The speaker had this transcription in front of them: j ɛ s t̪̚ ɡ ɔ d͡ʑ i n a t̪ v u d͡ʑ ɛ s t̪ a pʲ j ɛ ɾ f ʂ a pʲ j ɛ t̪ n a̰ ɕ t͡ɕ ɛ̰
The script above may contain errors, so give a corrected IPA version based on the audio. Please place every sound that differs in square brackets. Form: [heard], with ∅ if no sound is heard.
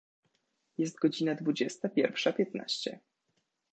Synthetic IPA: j ɛ s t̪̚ ɡ ɔ d͡ʑ i n a [d̪] v u d͡ʑ ɛ s t̪ a pʲ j ɛ ɾ f ʂ a pʲ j ɛ t̪ n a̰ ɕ t͡ɕ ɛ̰